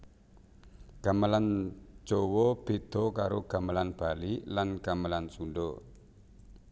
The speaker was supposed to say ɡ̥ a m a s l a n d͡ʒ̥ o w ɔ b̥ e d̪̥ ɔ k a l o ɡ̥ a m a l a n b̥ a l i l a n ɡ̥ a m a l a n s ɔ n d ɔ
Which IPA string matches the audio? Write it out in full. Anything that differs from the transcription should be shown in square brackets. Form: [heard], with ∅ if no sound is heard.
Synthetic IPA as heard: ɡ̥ a m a [∅] l a n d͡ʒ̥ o w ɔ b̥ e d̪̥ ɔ k a [ɾ] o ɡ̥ a m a l a n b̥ a l i l a n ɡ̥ a m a l a n s [u] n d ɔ